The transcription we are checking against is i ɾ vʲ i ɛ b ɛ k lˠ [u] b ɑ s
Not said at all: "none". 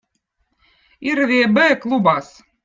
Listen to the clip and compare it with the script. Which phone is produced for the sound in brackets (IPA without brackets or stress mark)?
u